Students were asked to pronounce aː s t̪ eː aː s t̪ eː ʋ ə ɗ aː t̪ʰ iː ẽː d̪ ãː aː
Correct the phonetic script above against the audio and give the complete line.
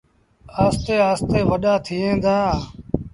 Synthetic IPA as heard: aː s t̪ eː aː s t̪ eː ʋ ə ɗ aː t̪ʰ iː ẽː d̪ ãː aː